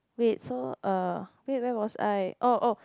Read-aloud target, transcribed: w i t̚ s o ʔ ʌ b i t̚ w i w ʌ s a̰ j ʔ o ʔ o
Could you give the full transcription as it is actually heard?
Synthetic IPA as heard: w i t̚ s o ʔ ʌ w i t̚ w ɛ w ɔ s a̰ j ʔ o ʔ o